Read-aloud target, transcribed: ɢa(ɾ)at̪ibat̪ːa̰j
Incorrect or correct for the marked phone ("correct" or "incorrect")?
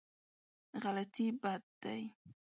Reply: incorrect